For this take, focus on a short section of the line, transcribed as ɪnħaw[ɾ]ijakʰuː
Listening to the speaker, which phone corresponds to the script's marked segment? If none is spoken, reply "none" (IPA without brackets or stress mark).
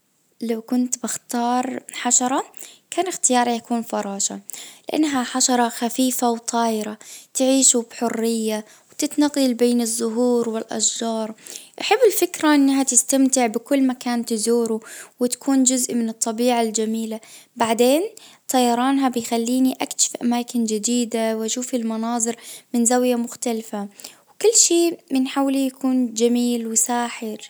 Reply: l